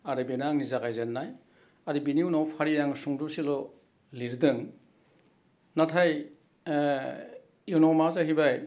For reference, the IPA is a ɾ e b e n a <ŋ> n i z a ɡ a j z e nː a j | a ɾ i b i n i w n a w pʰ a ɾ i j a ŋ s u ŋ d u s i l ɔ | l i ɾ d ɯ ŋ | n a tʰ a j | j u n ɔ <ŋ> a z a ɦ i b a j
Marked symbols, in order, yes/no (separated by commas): yes, no